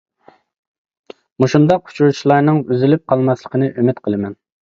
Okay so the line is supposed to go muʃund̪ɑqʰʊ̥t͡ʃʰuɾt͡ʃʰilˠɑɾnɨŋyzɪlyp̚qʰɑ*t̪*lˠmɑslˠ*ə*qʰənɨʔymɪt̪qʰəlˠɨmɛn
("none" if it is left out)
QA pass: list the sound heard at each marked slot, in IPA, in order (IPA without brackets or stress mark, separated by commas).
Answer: none, ə